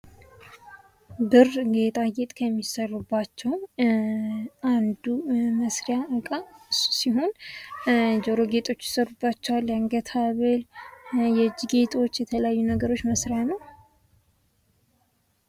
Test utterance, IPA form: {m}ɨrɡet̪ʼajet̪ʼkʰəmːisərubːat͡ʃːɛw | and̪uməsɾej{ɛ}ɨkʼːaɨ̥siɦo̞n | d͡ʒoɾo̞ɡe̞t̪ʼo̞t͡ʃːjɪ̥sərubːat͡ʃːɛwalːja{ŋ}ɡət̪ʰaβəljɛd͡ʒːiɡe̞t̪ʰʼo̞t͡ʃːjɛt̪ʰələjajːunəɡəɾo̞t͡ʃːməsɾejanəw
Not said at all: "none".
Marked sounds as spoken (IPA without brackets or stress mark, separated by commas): b, a, ŋ